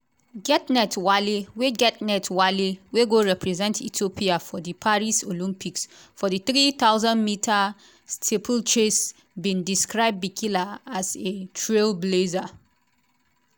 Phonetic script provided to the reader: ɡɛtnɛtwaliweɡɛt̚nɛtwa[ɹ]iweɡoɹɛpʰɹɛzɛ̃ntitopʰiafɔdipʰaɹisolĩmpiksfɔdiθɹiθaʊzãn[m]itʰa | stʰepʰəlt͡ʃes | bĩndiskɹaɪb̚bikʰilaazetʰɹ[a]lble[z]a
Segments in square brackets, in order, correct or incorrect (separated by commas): incorrect, correct, incorrect, correct